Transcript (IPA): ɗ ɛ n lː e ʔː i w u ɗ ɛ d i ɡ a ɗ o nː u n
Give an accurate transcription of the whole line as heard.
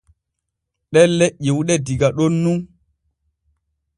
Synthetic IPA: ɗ ɛ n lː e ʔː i w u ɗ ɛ d i ɡ a ɗ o nː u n